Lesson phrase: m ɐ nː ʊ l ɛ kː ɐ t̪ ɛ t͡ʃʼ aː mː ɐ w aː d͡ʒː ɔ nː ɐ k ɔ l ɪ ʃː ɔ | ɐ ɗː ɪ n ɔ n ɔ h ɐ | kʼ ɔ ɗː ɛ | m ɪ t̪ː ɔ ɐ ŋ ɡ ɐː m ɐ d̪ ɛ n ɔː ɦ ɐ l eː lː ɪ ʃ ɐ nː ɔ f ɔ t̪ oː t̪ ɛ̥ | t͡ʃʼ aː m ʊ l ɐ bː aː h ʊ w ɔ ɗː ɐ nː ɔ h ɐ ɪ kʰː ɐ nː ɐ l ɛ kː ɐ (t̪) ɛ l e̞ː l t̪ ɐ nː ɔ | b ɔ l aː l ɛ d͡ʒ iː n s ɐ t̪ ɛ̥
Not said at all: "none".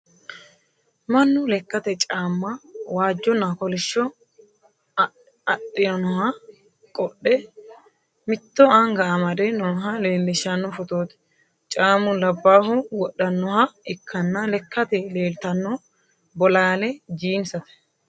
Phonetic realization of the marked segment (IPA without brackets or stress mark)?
t̪